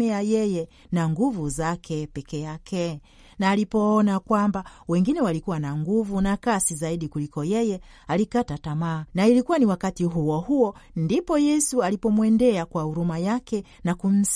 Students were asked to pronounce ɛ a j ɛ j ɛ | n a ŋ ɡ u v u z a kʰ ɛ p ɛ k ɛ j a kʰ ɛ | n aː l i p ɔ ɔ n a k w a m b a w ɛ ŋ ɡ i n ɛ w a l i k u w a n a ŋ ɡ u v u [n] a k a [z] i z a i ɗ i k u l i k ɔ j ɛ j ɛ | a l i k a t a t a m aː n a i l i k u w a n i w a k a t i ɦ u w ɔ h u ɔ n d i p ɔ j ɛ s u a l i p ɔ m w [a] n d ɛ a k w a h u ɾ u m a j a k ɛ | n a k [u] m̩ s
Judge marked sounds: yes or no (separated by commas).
yes, no, no, yes